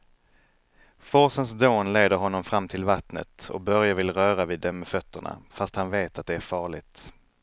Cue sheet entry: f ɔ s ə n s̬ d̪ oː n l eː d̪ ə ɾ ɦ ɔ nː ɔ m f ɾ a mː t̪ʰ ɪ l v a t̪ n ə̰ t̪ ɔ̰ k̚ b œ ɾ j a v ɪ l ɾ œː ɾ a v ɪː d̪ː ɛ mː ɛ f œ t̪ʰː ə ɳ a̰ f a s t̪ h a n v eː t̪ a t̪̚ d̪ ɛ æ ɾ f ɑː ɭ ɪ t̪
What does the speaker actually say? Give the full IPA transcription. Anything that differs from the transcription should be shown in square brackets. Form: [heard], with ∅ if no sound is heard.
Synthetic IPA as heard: f ɔ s ə n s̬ d̪ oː n l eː d̪ ə ɾ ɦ ɔ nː ɔ m f ɾ a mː t̪ʰ ɪ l v a t̪ n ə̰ t̪ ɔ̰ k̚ b œ ɾ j a v ɪ l ɾ œː ɾ a v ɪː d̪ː ɛ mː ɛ f œ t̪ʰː ə ɳ a̰ f a s t̪ h a n v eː t̪ a t̪̚ d̪ ɛ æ ɾ f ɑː ɭ ɪ t̪